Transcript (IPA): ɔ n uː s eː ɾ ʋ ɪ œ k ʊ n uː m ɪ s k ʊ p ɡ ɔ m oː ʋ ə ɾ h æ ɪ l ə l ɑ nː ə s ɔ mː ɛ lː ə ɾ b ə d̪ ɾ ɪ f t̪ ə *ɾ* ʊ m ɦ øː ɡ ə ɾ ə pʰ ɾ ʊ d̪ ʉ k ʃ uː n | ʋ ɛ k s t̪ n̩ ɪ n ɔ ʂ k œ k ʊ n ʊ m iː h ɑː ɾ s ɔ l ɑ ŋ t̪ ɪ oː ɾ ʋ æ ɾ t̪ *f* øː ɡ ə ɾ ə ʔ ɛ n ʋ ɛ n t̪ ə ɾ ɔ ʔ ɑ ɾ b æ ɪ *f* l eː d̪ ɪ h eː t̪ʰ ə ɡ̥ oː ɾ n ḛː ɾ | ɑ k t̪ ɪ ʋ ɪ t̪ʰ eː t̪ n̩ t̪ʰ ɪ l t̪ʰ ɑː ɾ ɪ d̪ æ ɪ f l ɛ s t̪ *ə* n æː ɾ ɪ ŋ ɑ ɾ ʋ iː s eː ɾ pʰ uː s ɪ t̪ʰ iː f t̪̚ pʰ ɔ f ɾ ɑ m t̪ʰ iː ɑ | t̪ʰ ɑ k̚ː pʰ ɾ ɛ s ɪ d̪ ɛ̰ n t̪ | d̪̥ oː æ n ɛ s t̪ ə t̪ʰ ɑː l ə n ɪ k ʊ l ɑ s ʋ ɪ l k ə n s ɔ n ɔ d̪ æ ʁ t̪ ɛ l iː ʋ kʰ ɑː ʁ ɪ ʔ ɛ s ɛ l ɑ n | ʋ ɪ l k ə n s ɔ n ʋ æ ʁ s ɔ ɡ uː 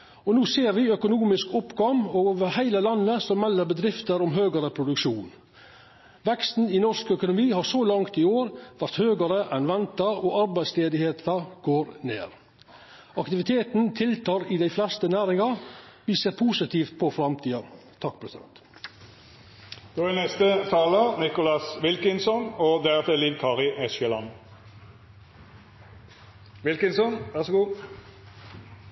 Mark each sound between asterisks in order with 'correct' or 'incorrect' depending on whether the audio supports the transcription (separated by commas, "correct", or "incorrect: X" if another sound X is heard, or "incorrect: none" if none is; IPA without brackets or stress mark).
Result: correct, incorrect: h, incorrect: s, correct